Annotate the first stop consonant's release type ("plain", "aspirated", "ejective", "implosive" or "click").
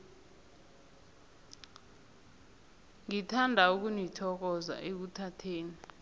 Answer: aspirated